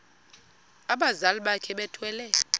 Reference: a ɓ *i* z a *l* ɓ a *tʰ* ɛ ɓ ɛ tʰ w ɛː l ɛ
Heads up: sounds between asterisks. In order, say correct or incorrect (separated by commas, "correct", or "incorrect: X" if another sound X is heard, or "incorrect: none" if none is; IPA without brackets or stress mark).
incorrect: a, correct, incorrect: kʰ